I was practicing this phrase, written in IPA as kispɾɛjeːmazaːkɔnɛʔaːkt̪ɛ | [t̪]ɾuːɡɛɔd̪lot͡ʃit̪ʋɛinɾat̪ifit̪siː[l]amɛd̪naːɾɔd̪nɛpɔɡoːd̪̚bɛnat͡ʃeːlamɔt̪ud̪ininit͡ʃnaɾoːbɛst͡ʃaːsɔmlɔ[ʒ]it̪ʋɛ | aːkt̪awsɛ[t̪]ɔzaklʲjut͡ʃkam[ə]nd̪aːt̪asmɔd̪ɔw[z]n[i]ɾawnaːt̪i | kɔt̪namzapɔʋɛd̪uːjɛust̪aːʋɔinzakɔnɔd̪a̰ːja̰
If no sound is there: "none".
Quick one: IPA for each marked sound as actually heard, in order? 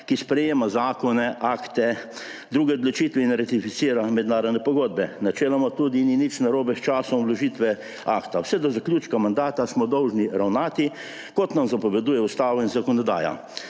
d̪, ɾ, ʒ, d̪, a, ʒ, i

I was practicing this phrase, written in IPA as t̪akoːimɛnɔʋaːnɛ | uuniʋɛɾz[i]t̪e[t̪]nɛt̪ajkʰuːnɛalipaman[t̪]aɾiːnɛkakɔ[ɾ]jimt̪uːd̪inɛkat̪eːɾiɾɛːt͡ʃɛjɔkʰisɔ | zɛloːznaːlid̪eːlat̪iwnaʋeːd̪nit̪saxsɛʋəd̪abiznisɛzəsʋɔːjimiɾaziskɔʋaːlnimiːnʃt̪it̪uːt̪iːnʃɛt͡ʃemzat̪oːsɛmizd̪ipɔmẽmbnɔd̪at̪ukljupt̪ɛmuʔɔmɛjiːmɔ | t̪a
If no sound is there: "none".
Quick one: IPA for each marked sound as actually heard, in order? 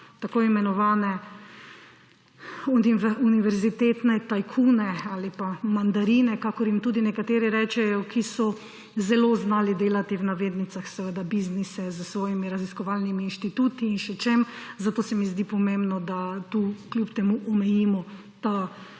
i, t̪, d̪, ɾ

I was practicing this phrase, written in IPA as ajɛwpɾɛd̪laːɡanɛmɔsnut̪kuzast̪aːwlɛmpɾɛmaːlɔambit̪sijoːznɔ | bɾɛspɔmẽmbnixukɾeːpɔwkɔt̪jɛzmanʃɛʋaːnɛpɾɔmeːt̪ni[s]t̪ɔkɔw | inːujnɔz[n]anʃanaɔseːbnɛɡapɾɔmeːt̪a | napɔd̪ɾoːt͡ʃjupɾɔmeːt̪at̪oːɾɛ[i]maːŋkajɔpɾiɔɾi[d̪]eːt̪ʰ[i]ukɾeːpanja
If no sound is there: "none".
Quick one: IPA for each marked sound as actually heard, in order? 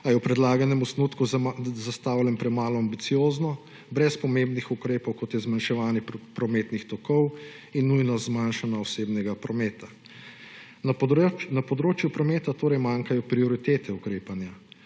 x, m, j, t̪, ɛ

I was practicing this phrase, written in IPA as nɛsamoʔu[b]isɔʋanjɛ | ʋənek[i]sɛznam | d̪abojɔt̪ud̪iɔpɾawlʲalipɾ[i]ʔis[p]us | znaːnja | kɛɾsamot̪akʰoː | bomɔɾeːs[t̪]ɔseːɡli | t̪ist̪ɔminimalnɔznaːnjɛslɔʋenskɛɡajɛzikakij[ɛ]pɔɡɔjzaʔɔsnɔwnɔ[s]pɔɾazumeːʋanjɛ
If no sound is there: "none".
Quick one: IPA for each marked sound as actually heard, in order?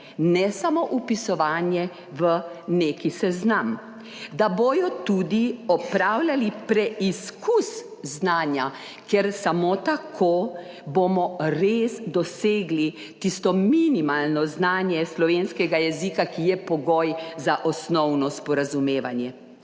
p, i, ɛ, k, d̪, ɛ, s

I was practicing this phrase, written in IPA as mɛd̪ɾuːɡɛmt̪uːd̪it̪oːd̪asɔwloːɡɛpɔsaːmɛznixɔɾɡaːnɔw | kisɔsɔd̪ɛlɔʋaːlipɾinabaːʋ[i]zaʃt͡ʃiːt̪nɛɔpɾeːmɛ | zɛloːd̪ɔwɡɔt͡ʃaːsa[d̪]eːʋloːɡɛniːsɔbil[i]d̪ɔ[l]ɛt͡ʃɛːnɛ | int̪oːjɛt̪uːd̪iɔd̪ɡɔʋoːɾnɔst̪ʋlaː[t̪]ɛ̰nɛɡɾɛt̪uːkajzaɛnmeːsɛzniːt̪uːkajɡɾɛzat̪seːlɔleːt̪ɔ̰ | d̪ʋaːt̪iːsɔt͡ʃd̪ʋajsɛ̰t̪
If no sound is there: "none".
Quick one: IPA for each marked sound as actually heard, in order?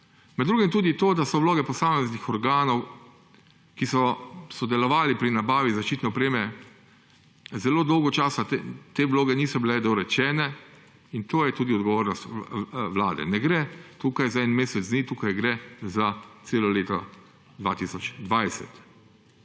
i, t̪, ɛ, ɾ, d̪

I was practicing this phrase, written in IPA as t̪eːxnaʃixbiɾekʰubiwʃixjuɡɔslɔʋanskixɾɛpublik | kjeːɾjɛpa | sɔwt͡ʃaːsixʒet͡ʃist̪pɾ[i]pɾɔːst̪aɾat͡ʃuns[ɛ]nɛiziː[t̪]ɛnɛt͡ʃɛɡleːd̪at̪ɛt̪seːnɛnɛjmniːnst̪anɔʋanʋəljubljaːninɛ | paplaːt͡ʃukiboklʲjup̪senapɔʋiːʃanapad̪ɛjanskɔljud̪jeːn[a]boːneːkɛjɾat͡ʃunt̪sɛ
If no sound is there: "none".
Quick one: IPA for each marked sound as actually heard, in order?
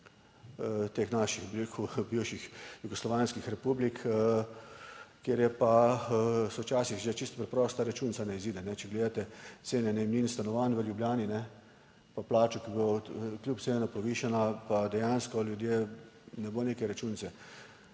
ɛ, a, d̪, ɛ

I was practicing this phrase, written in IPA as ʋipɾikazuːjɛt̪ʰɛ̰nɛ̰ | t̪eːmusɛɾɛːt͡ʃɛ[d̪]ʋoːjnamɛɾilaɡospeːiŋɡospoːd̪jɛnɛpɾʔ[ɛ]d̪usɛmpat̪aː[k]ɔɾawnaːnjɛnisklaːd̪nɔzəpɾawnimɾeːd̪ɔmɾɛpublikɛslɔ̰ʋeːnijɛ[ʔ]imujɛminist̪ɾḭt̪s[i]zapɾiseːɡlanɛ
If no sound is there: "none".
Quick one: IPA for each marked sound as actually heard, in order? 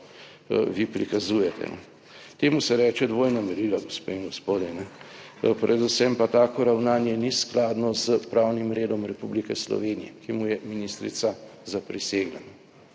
d̪, ɛ, k, k, a

